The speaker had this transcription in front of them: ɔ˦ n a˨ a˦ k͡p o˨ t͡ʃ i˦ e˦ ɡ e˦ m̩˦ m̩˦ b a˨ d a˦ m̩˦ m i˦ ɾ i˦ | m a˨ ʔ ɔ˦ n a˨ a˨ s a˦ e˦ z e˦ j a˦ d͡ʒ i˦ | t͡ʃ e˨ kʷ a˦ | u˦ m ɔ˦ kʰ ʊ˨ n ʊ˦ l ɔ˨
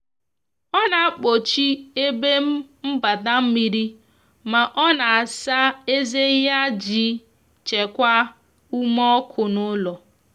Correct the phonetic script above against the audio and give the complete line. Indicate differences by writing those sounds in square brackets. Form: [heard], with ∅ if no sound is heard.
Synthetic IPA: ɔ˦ n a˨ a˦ k͡p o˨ t͡ʃ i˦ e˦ [b] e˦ m̩˦ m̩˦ b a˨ d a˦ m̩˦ m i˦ ɾ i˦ | m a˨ ʔ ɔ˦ n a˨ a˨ s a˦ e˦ z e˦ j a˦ d͡ʒ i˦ | t͡ʃ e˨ kʷ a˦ | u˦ m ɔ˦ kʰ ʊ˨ n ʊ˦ l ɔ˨